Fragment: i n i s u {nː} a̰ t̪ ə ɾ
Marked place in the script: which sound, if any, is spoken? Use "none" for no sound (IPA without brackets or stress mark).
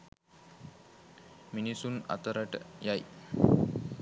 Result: n